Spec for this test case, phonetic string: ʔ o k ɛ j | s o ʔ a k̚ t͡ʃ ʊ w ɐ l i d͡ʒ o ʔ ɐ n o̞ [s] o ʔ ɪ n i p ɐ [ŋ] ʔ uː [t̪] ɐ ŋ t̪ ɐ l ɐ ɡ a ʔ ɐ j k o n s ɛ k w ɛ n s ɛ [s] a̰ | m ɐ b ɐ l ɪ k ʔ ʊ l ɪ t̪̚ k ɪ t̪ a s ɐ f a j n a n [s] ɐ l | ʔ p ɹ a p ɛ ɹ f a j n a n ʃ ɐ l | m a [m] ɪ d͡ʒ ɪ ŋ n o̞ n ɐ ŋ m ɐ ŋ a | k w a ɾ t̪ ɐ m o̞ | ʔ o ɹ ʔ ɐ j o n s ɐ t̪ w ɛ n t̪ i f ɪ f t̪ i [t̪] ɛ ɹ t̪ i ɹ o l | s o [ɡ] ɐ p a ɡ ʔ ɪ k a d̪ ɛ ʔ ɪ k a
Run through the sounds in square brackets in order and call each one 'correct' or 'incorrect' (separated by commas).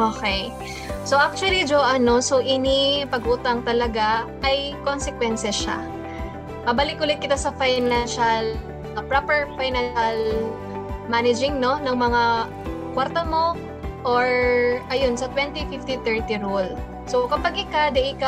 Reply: correct, incorrect, correct, incorrect, incorrect, incorrect, correct, incorrect